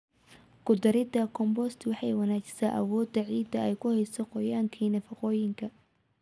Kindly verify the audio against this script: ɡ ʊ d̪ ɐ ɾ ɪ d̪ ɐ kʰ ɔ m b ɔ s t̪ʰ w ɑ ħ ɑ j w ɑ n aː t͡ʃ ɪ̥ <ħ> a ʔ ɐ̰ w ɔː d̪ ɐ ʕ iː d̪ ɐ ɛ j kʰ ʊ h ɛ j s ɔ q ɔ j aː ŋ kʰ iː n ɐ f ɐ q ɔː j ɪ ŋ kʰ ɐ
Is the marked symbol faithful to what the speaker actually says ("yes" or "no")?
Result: no